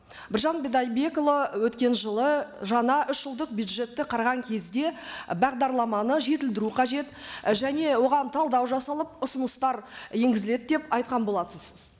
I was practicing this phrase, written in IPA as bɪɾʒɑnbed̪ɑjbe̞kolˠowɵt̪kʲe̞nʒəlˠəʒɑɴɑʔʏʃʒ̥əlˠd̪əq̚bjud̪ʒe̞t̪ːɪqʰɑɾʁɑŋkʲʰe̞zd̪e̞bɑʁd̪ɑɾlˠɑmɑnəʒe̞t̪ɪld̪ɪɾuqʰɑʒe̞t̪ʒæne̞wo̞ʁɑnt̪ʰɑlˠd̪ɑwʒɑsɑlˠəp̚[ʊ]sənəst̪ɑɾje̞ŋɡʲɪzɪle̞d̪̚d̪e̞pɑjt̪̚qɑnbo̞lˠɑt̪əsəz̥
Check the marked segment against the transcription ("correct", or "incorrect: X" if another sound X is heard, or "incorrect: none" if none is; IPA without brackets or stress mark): correct